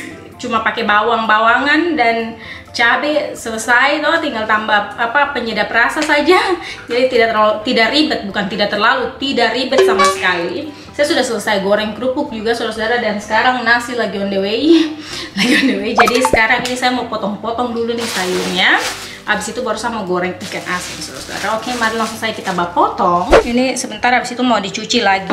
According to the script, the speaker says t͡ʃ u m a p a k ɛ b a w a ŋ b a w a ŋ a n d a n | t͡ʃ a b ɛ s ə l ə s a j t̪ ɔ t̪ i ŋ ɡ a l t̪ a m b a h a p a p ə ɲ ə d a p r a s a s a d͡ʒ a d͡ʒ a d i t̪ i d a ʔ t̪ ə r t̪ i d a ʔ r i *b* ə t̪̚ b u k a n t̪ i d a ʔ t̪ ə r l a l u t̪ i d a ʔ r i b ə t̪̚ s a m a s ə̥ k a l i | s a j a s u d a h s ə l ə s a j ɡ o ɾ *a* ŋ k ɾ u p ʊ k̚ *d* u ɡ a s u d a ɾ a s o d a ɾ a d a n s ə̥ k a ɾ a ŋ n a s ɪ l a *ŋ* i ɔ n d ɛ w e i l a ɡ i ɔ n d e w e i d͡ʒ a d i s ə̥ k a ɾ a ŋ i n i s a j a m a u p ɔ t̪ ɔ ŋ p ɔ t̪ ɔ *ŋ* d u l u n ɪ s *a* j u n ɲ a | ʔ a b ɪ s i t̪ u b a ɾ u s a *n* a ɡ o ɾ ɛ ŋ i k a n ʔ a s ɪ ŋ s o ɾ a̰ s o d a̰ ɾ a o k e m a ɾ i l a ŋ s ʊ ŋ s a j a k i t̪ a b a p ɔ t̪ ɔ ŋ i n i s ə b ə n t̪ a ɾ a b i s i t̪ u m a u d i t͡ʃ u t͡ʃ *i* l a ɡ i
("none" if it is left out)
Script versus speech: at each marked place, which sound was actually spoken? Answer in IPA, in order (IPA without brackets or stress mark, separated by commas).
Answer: b, ɛ, d͡ʒ, ɡ, ŋ, a, m, i